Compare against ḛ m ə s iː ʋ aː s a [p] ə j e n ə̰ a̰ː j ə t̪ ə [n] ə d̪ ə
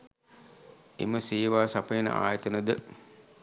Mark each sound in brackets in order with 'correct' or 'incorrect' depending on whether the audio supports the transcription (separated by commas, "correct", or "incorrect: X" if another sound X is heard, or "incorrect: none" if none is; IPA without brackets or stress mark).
correct, correct